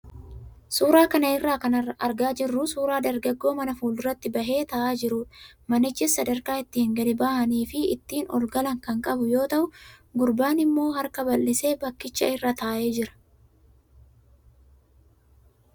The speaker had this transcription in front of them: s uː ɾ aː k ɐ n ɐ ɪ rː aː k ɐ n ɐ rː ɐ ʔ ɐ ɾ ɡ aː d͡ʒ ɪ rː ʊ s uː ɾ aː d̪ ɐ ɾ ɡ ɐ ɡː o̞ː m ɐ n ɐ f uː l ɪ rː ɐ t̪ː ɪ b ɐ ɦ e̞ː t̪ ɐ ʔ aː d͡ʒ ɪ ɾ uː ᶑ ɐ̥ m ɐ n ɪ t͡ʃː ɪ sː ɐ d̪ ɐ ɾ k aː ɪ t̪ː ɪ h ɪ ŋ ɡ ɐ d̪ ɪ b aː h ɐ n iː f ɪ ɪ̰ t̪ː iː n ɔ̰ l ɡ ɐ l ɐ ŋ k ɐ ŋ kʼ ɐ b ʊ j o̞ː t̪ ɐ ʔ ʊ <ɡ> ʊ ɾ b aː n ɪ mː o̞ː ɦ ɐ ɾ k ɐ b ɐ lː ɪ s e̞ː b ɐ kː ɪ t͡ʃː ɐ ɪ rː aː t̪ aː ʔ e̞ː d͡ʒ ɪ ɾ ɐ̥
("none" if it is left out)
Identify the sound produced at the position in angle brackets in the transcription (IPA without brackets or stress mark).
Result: ɡ